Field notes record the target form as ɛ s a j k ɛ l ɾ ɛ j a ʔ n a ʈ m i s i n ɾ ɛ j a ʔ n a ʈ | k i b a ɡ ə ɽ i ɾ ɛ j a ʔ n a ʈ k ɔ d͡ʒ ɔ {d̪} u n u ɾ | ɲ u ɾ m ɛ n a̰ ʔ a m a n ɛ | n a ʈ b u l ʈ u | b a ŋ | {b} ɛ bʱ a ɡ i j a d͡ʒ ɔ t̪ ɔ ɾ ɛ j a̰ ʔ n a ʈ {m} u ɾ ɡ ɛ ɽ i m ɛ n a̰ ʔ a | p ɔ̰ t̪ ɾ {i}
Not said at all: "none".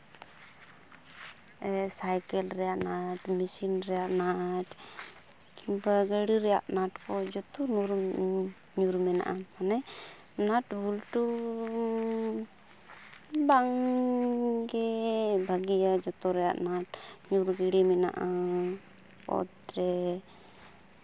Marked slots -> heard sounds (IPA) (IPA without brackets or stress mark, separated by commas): t̪, ɡ, ɲ, ɛ